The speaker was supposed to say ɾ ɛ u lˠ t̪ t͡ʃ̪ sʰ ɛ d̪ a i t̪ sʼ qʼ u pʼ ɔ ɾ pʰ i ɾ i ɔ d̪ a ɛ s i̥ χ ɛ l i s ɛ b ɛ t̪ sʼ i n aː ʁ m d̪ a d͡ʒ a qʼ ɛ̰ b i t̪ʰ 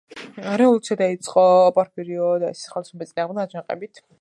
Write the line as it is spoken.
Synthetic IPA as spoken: ɾ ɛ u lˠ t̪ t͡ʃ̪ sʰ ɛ d̪ a i t̪ sʼ qʼ ɔ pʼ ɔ ɾ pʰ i ɾ i ɔ d̪ a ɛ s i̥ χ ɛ l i s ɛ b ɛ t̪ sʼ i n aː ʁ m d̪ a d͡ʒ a qʼ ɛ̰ b i t̪ʰ